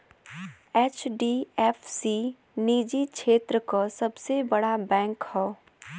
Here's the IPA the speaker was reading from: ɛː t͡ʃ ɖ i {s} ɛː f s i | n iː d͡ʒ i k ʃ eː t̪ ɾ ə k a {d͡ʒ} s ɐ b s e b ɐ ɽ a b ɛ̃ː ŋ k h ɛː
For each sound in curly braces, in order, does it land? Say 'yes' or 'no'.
no, no

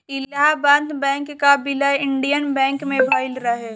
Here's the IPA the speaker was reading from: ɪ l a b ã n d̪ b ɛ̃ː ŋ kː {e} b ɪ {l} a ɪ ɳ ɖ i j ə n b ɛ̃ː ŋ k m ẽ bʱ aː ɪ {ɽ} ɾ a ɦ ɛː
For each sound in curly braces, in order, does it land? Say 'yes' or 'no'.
no, yes, no

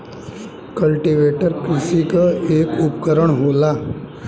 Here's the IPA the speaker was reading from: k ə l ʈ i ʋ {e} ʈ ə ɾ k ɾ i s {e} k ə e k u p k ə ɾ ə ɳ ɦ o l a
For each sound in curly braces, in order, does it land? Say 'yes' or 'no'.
yes, no

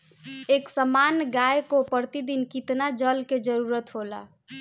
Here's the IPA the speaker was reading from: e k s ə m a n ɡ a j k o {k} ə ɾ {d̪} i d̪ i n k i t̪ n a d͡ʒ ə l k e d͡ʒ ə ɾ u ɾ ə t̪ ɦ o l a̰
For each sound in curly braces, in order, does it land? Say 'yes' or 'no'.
no, no

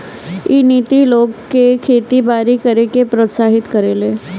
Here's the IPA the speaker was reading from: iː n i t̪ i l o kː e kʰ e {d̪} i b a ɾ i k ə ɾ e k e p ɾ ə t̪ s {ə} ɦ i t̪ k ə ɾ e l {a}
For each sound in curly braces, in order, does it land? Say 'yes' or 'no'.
no, no, no

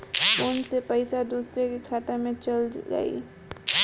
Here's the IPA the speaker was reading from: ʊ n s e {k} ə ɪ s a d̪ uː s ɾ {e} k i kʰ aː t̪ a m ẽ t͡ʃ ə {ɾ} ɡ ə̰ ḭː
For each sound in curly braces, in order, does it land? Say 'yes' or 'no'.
no, yes, no

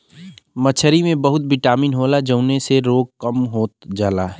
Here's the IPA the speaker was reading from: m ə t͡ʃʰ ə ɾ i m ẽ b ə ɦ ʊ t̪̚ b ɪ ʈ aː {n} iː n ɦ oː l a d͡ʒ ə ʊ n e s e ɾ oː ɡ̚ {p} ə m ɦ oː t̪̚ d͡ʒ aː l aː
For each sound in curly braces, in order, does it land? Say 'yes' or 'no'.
no, no

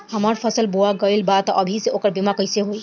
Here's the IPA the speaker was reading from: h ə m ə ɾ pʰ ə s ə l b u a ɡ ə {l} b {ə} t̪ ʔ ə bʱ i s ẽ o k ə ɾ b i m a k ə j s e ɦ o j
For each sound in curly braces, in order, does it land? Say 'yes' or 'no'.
yes, no

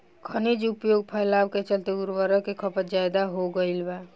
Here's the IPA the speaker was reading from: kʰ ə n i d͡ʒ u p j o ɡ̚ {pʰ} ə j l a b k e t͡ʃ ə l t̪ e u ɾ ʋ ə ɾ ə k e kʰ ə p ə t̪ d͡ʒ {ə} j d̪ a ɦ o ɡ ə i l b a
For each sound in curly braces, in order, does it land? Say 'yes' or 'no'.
yes, no

